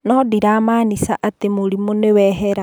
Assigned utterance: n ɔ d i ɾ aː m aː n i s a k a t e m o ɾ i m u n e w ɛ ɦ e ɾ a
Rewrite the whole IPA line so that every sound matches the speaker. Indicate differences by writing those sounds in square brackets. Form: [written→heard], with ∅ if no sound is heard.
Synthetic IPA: n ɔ d i ɾ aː m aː n i s a [k→ʔ] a t e m o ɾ i m [u→o] n e w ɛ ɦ [e→ɛ] ɾ a